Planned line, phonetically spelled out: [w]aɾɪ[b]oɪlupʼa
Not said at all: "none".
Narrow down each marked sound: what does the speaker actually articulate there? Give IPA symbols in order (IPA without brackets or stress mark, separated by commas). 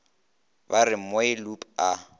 b, m